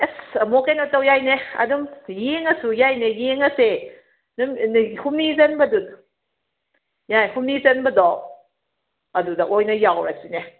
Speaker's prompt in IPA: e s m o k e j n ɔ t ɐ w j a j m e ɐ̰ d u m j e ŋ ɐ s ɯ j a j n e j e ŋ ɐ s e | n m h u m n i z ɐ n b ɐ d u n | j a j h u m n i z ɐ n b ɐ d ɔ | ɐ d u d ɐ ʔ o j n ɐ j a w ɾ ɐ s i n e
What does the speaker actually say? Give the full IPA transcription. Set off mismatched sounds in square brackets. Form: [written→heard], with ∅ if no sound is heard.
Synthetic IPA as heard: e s m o k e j n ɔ t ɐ w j a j [m→n] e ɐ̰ d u m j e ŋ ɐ s [ɯ→u] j a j n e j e ŋ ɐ s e | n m h u m n i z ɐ n b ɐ d u n | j a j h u m n i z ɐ n b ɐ d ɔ | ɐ d u d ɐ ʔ o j n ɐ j a w ɾ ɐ s i n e